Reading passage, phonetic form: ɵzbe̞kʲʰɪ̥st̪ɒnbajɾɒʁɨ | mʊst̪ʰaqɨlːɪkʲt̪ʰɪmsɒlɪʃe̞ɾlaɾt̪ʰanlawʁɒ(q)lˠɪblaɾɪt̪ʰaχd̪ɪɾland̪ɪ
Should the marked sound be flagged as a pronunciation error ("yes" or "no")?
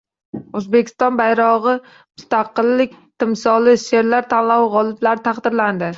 yes